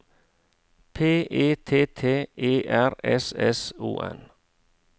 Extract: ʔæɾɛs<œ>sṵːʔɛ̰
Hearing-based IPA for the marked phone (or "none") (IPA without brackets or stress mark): ɛ